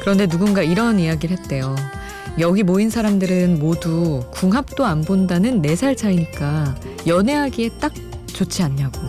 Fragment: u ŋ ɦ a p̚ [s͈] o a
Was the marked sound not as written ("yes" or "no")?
yes